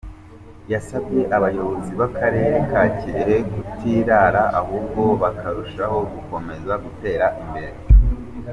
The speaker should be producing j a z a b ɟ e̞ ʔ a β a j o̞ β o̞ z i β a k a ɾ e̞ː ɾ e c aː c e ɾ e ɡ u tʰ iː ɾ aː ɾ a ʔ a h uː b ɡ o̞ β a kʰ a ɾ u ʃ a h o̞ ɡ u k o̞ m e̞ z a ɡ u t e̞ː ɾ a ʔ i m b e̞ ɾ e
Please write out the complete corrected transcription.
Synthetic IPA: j a s a b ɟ e̞ ʔ a β a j o̞ β o̞ z i β a k a ɾ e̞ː ɾ e k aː c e ɾ e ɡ u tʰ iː ɾ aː ɾ a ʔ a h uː b ɡ o̞ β a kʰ a ɾ u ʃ a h o̞ ɡ u k o̞ m e̞ z a ɡ u t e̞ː ɾ a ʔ i m b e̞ ɾ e